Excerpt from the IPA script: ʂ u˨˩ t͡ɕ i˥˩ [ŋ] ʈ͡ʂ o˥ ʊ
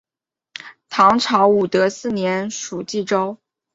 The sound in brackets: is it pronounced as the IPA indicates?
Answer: no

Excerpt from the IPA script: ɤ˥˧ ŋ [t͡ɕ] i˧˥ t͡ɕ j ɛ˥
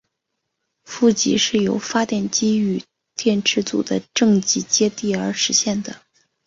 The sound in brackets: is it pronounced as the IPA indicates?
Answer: yes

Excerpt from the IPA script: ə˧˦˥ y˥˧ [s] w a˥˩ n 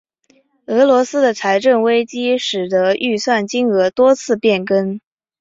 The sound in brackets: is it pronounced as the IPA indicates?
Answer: yes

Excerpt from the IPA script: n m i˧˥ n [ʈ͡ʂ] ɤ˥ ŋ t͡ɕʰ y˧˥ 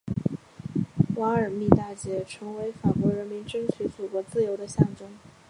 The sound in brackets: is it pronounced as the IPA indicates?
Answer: yes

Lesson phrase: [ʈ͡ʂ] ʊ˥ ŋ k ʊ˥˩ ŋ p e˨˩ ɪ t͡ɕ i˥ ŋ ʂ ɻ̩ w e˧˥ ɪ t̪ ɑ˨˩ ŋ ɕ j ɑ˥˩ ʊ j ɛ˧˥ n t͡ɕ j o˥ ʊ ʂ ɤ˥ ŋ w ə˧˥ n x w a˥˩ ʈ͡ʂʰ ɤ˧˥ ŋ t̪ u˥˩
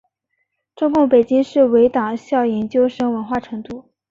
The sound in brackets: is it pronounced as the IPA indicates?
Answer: yes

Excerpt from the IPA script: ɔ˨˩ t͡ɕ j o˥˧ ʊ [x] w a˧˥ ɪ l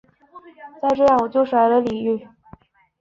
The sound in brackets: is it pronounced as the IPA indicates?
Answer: no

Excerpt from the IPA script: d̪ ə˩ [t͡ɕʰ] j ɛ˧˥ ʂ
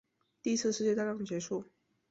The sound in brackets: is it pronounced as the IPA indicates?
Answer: no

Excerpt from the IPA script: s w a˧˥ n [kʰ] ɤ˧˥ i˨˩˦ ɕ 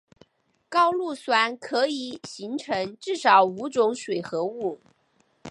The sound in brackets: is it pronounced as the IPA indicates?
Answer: yes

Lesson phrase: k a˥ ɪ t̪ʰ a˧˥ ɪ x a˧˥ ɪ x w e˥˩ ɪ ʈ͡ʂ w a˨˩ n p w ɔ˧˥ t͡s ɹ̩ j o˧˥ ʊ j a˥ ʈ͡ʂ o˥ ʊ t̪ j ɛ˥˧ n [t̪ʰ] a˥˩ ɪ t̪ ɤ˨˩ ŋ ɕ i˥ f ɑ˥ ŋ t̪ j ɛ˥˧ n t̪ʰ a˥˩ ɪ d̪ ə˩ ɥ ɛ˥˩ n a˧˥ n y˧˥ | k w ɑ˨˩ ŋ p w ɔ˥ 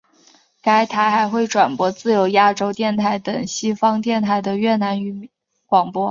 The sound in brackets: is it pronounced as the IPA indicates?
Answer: yes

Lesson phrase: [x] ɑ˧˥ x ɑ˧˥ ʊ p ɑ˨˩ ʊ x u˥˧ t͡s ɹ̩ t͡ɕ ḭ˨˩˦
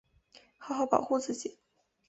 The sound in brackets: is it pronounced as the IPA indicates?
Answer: yes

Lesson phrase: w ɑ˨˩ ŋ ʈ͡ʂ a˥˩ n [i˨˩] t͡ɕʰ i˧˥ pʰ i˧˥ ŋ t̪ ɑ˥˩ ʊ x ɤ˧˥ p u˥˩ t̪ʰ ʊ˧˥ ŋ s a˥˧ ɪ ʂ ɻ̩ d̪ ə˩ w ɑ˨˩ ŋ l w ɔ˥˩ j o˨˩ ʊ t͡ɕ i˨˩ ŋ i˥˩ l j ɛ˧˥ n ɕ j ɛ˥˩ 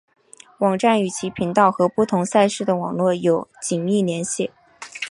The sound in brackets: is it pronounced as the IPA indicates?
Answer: no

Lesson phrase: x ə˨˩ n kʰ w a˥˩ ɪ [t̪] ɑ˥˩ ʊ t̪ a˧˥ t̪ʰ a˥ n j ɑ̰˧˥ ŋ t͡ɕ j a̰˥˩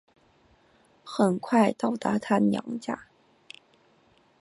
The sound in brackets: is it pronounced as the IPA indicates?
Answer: yes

